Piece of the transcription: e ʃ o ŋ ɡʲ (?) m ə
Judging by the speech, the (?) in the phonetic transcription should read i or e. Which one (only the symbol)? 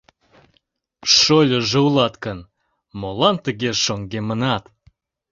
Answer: e